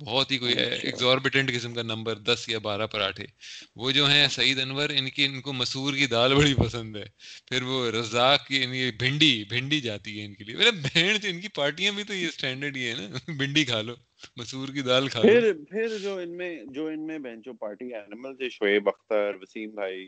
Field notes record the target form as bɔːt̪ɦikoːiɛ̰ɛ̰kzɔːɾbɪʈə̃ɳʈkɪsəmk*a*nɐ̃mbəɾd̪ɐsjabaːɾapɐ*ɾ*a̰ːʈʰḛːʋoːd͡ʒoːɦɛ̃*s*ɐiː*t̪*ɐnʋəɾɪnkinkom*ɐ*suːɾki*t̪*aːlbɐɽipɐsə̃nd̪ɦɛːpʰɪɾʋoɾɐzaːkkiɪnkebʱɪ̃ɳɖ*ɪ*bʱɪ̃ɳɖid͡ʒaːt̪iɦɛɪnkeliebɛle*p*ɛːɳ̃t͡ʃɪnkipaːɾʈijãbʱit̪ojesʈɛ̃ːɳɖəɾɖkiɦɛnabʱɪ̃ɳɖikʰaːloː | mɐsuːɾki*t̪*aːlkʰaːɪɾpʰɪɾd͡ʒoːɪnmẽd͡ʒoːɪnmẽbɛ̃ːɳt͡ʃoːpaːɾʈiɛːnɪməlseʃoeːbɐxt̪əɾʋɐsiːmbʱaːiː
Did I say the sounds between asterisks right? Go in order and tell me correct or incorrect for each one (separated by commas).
correct, correct, correct, incorrect, correct, incorrect, incorrect, incorrect, incorrect